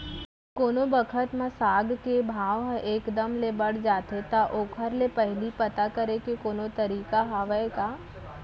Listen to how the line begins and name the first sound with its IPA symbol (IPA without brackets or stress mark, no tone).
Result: k